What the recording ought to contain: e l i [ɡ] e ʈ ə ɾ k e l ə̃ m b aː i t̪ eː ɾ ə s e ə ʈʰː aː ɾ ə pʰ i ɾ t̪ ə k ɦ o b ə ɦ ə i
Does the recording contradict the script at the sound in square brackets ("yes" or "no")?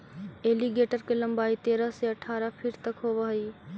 no